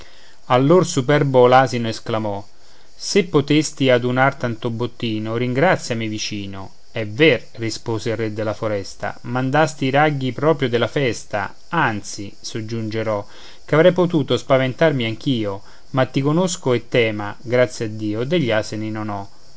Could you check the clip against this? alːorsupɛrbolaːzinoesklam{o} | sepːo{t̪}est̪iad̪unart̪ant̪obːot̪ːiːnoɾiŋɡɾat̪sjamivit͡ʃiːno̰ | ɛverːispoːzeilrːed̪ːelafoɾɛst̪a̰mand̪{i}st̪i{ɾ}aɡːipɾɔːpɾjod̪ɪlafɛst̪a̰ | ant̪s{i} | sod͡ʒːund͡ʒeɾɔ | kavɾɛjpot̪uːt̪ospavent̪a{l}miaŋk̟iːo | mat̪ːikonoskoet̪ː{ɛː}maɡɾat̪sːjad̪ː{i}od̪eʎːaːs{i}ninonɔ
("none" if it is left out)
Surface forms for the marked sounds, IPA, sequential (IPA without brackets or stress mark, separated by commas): ɔ, t̪, a, ɾ, i, r, ɛː, iː, e